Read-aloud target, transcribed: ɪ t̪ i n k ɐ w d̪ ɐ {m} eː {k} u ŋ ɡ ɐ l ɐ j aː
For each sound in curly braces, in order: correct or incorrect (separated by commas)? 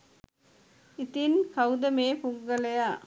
correct, incorrect